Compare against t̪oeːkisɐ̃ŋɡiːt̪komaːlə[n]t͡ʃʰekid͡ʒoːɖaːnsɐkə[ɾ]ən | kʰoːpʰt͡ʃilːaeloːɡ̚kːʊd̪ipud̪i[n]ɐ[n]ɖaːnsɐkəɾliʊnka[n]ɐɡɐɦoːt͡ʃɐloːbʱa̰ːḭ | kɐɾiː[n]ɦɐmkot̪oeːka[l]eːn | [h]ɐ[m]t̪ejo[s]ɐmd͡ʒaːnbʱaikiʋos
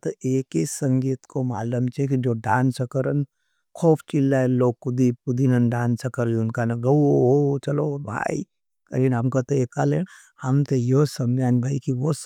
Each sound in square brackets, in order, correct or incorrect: incorrect: m, correct, correct, correct, correct, correct, correct, correct, correct, correct

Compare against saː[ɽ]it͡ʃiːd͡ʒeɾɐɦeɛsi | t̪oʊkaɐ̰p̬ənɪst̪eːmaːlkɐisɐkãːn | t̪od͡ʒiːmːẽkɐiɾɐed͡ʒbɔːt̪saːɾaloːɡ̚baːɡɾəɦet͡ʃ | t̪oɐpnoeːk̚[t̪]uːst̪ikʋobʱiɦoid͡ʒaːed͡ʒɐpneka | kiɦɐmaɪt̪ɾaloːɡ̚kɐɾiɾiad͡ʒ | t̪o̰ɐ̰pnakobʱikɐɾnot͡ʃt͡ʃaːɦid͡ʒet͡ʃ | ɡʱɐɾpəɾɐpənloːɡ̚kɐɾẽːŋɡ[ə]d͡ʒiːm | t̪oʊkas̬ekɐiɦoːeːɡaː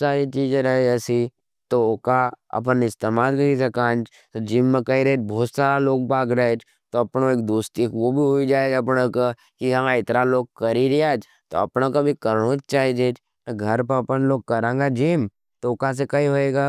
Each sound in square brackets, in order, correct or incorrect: incorrect: ɾ, incorrect: d̪, incorrect: a

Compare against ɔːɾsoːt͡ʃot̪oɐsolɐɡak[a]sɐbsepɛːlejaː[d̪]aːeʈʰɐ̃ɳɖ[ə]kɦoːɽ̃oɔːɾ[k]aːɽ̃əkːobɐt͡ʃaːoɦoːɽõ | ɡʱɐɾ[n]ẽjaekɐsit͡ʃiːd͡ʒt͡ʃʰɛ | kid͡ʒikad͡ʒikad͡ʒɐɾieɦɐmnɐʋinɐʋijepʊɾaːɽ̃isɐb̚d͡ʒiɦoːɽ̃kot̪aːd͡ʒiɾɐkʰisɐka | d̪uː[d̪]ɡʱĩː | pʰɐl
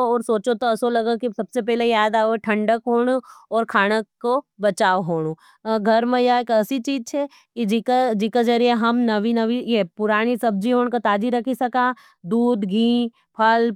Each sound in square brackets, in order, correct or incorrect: incorrect: i, correct, correct, incorrect: kʰ, incorrect: m, correct

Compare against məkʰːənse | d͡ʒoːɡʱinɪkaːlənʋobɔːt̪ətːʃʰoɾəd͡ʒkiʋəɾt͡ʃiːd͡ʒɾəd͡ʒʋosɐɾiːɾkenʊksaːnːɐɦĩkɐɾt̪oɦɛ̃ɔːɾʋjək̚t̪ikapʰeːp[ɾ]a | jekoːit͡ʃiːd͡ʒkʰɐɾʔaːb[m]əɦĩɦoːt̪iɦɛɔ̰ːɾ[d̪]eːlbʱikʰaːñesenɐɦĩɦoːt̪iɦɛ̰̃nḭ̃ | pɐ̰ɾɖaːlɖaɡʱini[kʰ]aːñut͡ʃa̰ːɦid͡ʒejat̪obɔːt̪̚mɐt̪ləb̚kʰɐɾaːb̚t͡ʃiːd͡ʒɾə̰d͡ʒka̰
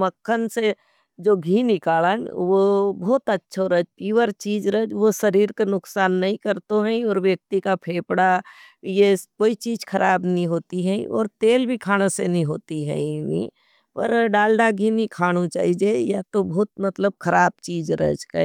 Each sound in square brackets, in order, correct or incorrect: incorrect: ɽ, incorrect: n, incorrect: t̪, correct

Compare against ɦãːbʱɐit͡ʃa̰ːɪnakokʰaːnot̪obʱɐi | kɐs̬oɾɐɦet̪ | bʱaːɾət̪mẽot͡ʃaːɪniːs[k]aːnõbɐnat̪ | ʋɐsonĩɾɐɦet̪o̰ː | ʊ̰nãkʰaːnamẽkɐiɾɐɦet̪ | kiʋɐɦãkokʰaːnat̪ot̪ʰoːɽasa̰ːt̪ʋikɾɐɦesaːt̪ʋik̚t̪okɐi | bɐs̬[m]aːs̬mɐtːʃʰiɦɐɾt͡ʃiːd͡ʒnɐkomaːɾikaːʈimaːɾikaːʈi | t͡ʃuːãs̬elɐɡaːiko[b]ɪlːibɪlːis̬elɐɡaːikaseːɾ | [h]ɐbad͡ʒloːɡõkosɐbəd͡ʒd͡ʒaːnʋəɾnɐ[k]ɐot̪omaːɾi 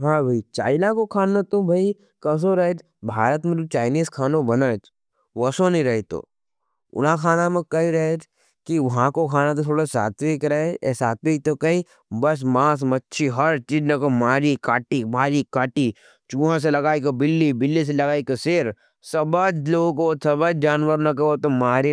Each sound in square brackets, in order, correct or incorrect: incorrect: kʰ, correct, correct, incorrect: s, correct

